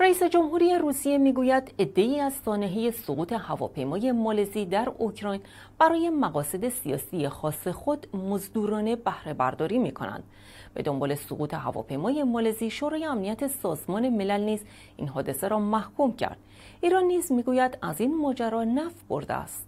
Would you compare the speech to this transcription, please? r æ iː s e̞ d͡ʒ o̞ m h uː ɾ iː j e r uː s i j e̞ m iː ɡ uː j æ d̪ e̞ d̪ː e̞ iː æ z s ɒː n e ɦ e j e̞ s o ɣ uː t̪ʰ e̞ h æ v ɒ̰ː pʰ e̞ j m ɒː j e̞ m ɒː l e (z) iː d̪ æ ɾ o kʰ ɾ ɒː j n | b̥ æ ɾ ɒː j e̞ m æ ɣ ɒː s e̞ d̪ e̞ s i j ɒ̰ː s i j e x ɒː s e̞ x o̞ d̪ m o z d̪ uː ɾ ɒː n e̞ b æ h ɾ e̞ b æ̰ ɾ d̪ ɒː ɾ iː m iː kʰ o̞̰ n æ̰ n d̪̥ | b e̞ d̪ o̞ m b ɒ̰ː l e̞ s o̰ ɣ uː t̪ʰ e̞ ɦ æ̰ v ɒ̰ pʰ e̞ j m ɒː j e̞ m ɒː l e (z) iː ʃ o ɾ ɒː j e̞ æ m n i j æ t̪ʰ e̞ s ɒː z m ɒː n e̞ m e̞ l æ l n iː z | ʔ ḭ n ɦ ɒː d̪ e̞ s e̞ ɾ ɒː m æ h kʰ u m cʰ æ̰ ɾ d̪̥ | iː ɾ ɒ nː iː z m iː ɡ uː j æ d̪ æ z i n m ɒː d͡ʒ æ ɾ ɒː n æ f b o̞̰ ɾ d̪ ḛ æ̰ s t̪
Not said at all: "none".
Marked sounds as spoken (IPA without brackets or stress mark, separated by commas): z, z